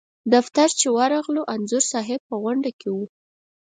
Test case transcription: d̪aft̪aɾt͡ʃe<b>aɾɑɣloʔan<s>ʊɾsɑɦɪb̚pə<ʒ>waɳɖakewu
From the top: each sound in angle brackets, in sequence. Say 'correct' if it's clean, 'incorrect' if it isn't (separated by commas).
incorrect, incorrect, incorrect